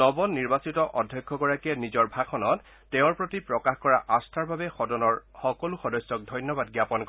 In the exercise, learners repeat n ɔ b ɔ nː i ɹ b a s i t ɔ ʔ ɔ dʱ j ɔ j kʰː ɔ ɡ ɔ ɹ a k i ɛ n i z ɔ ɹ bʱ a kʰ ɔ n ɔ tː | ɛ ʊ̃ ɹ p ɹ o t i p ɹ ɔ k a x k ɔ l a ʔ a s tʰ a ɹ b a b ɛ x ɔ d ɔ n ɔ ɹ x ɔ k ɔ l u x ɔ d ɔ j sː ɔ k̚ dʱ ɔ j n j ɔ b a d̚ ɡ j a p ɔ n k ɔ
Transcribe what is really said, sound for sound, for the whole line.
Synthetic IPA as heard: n ɔ b ɔ nː i ɹ b a s i t ɔ ʔ ɔ dʱ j ɔ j kʰː ɔ ɡ ɔ ɹ a k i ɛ n i z ɔ ɹ bʱ a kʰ ɔ n ɔ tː | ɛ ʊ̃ ɹ p ɹ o t i p ɹ ɔ k a x k ɔ ɹ a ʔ a s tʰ a ɹ b a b ɛ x ɔ d ɔ n ɔ ɹ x ɔ k ɔ l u x ɔ d ɔ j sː ɔ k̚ dʱ ɔ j n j ɔ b a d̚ ɡ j a p ɔ n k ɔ